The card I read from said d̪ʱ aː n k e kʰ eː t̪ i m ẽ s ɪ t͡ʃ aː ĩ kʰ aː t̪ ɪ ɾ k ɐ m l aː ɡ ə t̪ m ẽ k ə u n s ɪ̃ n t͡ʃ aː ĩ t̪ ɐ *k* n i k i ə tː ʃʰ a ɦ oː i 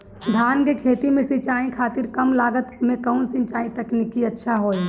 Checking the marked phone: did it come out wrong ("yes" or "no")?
no